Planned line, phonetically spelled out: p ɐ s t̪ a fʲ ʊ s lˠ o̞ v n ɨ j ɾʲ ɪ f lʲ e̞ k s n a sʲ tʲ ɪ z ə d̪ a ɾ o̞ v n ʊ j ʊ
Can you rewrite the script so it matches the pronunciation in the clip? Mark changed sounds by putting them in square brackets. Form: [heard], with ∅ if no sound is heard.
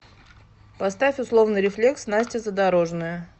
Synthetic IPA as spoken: p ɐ s t̪ a fʲ ʊ s lˠ o̞ v n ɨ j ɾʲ ɪ f lʲ e̞ k s n a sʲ tʲ ɪ z ə d̪ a ɾ o̞ [ʐ] n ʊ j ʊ